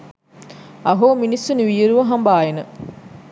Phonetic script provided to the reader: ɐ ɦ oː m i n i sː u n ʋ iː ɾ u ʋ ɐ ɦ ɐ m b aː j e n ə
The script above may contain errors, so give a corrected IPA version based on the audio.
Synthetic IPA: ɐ ɦ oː m i n i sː u n ʋ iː ɾ u ʋ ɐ ɦ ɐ m b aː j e n ə